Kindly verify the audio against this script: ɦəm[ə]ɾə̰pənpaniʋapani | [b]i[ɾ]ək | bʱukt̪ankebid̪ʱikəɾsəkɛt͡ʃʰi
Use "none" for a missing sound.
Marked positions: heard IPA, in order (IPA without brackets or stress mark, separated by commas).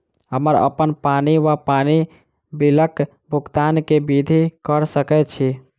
ə, b, l